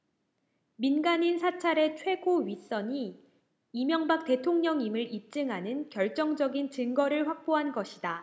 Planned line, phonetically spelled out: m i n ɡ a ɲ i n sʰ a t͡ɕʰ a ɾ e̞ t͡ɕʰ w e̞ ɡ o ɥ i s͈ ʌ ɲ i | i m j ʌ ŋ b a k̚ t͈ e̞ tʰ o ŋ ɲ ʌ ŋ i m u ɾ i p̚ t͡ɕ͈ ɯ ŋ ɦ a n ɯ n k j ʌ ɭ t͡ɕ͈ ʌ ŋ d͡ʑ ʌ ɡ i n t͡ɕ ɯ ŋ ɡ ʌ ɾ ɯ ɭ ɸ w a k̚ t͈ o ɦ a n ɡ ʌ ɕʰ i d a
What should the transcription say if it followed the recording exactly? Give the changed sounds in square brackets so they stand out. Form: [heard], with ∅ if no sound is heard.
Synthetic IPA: m i n ɡ a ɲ i n sʰ a t͡ɕʰ a ɾ e̞ t͡ɕʰ w e̞ ɡ o ɥ i s͈ ʌ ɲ i | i m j ʌ ŋ b a k̚ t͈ e̞ tʰ o ŋ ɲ ʌ ŋ i m [ɯ] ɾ i p̚ t͡ɕ͈ ɯ ŋ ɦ a n ɯ n k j ʌ ɭ t͡ɕ͈ ʌ ŋ d͡ʑ ʌ ɡ i n t͡ɕ ɯ ŋ ɡ ʌ ɾ ɯ ɭ ɸ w a k̚ [p͈] o ɦ a n ɡ ʌ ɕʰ i d a